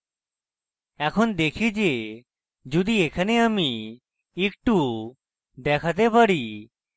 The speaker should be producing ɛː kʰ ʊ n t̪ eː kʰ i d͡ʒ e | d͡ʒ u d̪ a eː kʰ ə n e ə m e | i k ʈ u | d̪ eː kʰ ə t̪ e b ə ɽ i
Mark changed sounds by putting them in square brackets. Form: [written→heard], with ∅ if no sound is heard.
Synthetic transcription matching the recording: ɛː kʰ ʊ n [t̪→d̪] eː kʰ i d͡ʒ e | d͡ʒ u d̪ [a→i] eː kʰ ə n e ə m [e→i] | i k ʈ u | d̪ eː kʰ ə t̪ e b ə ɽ i